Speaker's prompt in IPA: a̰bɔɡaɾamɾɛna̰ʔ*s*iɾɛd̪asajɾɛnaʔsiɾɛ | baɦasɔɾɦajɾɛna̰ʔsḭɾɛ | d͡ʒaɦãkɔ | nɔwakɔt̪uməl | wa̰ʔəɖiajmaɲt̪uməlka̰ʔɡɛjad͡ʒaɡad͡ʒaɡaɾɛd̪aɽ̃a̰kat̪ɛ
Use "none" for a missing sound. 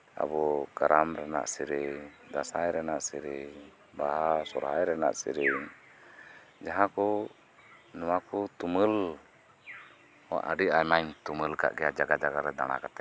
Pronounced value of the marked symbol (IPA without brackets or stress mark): s